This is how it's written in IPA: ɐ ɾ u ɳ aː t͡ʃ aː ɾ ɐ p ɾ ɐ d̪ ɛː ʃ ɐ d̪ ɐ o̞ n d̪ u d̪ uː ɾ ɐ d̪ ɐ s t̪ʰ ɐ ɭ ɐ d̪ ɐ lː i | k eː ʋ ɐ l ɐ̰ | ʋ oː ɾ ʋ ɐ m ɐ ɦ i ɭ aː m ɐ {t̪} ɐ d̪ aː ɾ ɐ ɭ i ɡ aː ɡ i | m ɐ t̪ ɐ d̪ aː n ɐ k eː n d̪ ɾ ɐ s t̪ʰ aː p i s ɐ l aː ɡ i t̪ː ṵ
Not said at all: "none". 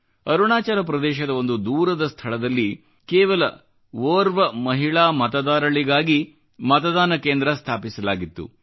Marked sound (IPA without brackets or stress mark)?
t̪